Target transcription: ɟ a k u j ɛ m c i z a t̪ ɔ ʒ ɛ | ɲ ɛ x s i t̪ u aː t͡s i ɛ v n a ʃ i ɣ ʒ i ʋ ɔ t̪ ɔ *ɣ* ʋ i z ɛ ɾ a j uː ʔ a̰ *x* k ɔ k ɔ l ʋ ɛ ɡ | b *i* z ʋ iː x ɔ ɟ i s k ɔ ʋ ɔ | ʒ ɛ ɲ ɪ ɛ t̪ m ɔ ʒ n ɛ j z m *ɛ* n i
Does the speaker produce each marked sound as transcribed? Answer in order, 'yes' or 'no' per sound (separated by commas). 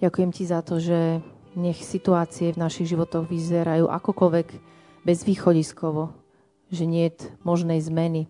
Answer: yes, no, no, yes